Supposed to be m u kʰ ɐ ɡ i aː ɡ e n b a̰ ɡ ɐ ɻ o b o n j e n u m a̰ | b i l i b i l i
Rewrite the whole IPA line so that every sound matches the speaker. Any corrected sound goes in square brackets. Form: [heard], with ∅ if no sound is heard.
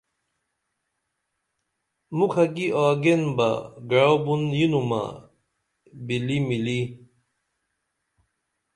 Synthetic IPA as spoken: m u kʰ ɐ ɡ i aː ɡ e n b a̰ ɡ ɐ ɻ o b [u] n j [i] n u m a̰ | b i l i [m] i l i

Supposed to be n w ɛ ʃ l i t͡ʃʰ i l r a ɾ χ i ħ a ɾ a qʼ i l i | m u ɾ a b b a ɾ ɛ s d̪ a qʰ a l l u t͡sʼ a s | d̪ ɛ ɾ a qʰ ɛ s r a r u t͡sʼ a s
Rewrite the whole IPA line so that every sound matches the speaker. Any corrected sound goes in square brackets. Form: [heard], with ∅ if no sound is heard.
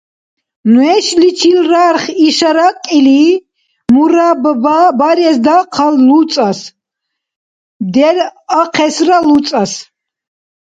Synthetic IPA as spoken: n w ɛ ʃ l i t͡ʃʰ i l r a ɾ χ i [ʃ] a ɾ a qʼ i l i | m u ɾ a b b a ɾ ɛ s d̪ a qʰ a l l u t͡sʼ a s | d̪ ɛ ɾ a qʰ ɛ s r a [l] u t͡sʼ a s

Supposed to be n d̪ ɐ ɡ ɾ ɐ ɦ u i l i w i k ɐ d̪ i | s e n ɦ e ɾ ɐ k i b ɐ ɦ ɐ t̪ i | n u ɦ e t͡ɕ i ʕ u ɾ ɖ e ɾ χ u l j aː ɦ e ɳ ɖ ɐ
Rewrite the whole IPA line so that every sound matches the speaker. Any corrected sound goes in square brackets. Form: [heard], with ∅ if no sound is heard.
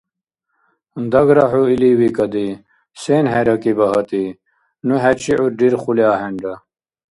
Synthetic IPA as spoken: n d̪ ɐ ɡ ɾ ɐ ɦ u i l i w i k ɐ d̪ i | s e n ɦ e ɾ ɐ k i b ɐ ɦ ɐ t̪ i | n u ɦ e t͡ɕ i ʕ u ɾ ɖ [i] ɾ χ u l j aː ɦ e ɳ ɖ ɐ

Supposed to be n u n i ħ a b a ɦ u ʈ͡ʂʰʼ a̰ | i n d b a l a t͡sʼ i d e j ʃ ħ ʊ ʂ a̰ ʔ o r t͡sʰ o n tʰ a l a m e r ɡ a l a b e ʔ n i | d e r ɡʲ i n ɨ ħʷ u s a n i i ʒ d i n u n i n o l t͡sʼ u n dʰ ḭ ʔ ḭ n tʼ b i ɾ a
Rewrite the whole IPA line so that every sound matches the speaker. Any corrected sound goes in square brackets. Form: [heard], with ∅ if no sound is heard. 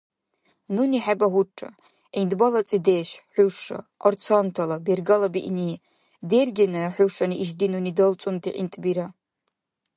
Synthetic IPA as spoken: n u n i ħ a b a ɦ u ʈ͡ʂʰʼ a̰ | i n d b a l a t͡sʼ i d e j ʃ ħ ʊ ʂ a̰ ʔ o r t͡sʰ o n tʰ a l a [b] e r ɡ a l a b [i] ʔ n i | d e r ɡʲ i n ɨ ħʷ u [ʂ] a n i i ʒ d i n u n i [d] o l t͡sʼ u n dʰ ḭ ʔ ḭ n tʼ b i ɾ a

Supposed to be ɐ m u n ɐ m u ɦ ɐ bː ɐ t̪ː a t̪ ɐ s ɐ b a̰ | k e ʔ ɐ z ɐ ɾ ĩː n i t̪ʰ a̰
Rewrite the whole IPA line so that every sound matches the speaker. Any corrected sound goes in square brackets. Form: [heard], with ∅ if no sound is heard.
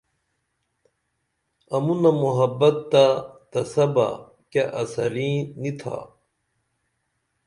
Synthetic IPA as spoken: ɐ m u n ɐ m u ɦ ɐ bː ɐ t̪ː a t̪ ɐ s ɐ b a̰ | k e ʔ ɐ [s] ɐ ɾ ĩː n i t̪ʰ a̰

